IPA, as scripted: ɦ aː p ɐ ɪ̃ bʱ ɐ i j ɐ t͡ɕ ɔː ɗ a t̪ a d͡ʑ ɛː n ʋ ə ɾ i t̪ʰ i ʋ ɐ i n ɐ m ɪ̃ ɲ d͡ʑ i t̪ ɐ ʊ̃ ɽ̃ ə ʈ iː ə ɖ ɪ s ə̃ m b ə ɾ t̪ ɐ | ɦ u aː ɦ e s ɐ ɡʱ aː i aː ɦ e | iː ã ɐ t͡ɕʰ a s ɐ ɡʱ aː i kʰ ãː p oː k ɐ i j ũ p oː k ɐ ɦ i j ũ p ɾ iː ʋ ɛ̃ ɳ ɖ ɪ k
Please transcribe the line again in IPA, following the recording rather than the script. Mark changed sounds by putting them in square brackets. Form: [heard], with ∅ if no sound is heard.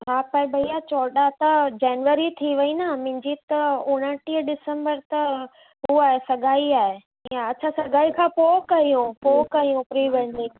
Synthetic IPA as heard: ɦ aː p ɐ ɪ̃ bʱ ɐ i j [a] t͡ɕ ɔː ɗ a t̪ [ɐ] d͡ʑ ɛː n ʋ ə ɾ i t̪ʰ i ʋ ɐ i n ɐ m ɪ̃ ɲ d͡ʑ i t̪ ɐ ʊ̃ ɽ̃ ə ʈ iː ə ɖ ɪ s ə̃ m b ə ɾ t̪ ɐ | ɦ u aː ɦ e s ɐ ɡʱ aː i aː ɦ e | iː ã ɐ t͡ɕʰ a s ɐ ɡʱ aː i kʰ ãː p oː k ɐ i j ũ p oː k ɐ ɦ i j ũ p ɾ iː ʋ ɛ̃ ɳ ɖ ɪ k

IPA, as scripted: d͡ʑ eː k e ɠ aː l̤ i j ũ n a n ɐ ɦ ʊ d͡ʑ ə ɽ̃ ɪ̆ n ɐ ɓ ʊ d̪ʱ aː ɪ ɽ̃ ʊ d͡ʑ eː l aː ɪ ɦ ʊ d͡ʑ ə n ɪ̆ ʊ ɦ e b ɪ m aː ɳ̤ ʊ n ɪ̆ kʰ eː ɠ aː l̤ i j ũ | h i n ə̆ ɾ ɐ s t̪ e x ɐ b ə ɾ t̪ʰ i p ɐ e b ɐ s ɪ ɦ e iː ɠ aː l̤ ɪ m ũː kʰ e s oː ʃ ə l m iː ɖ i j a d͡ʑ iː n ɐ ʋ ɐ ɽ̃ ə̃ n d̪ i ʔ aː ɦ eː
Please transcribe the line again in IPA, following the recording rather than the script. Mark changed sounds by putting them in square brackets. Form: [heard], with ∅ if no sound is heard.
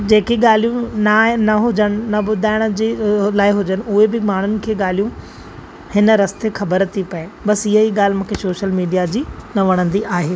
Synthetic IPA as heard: d͡ʑ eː k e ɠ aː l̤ i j ũ n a n ɐ ɦ ʊ d͡ʑ ə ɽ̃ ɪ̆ n ɐ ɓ ʊ d̪ʱ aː ɪ ɽ̃ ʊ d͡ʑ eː l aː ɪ ɦ ʊ d͡ʑ ə n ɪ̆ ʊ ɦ e b ɪ m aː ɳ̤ ʊ n ɪ̆ kʰ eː ɠ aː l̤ i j ũ | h [ɪ] n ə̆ ɾ ɐ s t̪ e x ɐ b ə ɾ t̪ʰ i p ɐ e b ɐ s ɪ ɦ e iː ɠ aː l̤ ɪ m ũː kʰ e s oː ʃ ə l m iː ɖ i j a d͡ʑ iː n ɐ ʋ ɐ ɽ̃ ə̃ n d̪ i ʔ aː ɦ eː

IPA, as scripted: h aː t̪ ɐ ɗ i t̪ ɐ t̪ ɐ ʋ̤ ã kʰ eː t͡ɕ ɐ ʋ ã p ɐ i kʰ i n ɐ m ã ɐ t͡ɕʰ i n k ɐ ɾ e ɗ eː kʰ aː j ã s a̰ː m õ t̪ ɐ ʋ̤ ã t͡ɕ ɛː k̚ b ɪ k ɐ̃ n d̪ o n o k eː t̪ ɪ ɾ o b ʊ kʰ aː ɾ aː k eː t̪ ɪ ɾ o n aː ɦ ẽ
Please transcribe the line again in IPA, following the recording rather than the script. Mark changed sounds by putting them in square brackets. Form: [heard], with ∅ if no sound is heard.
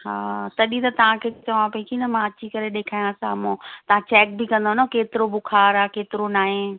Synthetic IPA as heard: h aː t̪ ɐ ɗ i t̪ ɐ t̪ ɐ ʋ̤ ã kʰ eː t͡ɕ ɐ ʋ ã p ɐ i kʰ i n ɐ m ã ɐ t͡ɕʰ i [∅] k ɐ ɾ e ɗ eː kʰ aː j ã s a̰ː m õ t̪ ɐ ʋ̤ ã t͡ɕ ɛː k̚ b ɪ k ɐ̃ n d̪ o n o k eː t̪ ɪ ɾ o b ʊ kʰ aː ɾ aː k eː t̪ ɪ ɾ o n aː ɦ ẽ

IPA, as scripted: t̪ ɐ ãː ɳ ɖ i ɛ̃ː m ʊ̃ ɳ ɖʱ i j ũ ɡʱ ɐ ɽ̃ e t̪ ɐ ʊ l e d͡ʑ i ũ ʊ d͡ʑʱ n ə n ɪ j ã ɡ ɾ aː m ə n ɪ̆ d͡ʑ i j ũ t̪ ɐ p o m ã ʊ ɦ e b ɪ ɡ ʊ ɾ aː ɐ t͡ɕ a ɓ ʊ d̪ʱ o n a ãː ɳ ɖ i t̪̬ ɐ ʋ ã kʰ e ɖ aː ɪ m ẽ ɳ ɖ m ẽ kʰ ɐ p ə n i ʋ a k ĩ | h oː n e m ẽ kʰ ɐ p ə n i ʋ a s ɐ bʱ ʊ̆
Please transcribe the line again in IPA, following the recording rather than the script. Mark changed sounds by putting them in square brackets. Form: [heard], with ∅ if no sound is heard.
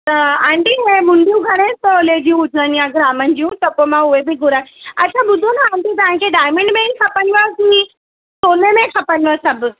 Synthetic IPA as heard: t̪ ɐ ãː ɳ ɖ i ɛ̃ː m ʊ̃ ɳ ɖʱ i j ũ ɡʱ ɐ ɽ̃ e t̪ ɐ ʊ l e d͡ʑ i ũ ʊ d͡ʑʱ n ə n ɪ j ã ɡ ɾ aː m ə n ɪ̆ d͡ʑ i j ũ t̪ ɐ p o m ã ʊ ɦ e b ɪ ɡ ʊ ɾ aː ɐ [t͡ɕʰ] a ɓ ʊ d̪ʱ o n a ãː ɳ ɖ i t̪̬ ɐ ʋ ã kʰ e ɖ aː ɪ m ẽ ɳ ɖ m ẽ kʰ ɐ p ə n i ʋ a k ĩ | [s] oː n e m ẽ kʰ ɐ p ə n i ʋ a s ɐ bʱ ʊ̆

